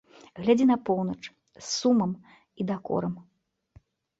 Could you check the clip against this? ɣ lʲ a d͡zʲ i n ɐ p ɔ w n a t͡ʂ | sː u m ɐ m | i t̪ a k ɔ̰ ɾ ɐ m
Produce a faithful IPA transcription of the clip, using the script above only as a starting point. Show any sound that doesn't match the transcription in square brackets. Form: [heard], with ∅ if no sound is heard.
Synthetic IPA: ɣ lʲ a d͡zʲ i n ɐ p ɔ w n [ɐ] t͡ʂ | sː u m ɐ m | i [d̪] a k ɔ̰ ɾ ɐ m